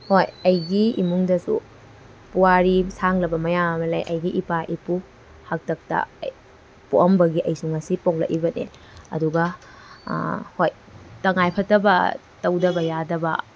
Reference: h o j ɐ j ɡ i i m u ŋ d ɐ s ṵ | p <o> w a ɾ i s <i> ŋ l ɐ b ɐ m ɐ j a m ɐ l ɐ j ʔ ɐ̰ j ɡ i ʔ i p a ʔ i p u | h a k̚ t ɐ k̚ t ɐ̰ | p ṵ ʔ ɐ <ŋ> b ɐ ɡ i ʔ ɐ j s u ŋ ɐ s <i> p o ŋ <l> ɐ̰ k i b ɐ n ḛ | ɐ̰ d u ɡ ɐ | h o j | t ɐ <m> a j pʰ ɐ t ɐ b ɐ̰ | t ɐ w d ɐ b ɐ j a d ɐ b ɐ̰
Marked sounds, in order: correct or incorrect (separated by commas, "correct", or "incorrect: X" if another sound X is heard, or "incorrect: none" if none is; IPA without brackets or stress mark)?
incorrect: u, incorrect: a, incorrect: m, correct, correct, incorrect: ŋ